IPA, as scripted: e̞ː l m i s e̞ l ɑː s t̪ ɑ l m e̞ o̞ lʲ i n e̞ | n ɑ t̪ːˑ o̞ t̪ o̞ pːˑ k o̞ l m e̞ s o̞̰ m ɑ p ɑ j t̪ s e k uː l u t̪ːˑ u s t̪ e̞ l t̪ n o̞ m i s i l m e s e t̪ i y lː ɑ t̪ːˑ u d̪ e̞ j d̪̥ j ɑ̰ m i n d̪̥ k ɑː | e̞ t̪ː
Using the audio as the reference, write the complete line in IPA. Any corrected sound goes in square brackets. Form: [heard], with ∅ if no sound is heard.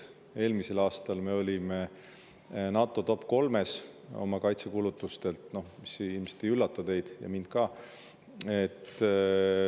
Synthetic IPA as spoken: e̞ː l m i s e̞ l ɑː s t̪ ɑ l m e̞ o̞ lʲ i [m] e̞ | n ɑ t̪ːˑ o̞ t̪ o̞ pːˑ k o̞ l m e̞ s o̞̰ m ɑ [k] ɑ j t̪ s e k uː l u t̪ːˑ u s t̪ e̞ l t̪ n o̞ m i s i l m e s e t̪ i y lː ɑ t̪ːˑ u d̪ e̞ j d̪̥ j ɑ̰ m i n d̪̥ k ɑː | e̞ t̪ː